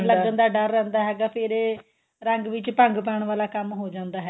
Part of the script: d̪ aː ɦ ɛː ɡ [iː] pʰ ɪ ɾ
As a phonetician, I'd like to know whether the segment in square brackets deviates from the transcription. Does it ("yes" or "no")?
yes